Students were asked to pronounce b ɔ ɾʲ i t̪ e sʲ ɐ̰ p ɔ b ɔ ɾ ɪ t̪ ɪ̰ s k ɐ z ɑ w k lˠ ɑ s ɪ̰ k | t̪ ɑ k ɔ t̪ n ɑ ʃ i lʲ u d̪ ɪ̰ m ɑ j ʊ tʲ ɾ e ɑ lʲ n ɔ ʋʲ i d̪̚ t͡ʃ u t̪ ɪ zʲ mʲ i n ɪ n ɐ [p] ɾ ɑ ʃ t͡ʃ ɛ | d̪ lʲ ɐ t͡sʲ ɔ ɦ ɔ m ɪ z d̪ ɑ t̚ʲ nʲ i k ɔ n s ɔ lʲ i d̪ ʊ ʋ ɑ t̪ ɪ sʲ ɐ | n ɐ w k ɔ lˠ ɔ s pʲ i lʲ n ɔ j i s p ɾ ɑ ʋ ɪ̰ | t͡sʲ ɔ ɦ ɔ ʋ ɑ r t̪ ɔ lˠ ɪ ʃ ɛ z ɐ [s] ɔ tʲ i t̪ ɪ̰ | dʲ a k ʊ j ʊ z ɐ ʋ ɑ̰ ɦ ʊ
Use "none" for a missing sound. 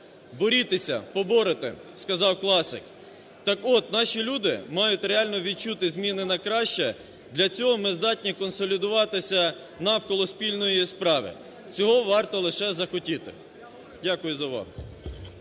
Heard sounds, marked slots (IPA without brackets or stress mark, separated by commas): k, x